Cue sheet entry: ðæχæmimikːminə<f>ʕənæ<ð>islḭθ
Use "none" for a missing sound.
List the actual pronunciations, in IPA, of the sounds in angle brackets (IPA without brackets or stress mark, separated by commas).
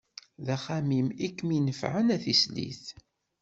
f, θ